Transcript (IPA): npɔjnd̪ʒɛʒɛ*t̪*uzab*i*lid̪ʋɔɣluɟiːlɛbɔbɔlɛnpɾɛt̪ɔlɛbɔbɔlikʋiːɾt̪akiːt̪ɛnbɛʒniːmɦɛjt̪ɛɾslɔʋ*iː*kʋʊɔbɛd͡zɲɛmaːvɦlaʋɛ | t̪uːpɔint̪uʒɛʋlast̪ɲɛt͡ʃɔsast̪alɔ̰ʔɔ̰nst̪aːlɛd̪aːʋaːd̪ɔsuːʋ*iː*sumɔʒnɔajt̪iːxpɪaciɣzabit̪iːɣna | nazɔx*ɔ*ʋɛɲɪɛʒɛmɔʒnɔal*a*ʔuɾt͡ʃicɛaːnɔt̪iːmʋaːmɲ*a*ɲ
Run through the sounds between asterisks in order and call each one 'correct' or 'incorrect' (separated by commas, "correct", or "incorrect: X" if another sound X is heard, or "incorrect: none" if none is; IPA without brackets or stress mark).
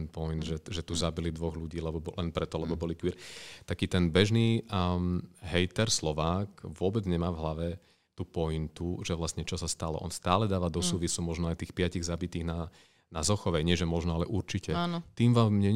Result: correct, correct, incorrect: aː, incorrect: i, correct, incorrect: ɛ, incorrect: ɛ